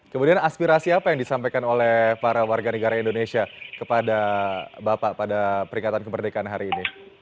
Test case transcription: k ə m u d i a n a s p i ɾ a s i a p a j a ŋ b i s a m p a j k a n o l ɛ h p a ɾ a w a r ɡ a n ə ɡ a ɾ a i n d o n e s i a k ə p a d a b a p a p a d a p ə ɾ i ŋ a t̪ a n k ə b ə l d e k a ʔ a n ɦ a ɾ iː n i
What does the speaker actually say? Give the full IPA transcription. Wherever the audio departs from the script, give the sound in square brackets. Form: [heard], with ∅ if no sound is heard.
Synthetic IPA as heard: k ə m u d i a n a s p i ɾ a s i a p a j a ŋ [d] i s a m p a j k a n o l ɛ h p a ɾ a w a r ɡ a n ə ɡ a ɾ a i n d o n e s i a k ə p a d a b a p a p a d a p ə ɾ i ŋ a t̪ a n k ə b ə [r] d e k a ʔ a n ɦ a ɾ iː n i